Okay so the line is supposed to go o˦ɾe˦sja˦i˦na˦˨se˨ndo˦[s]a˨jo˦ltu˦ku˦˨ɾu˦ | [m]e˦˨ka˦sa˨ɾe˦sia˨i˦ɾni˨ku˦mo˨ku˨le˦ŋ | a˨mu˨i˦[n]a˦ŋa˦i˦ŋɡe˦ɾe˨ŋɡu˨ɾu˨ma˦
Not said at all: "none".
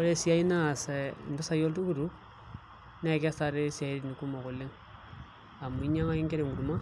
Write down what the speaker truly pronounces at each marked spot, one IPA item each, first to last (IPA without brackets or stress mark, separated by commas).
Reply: s, n, ɲ